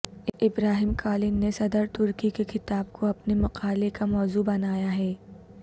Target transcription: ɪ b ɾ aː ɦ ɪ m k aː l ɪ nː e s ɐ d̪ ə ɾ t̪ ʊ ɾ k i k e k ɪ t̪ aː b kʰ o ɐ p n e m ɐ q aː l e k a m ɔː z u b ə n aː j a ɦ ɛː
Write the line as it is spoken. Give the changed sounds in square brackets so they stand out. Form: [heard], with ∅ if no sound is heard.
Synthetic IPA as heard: ɪ b ɾ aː ɦ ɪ m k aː l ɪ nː e s ɐ d̪ ə ɾ t̪ ʊ ɾ k i k e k ɪ t̪ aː b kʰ o ɐ p n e m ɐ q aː l e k a m ɔː z u b [ɐ] n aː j a ɦ ɛː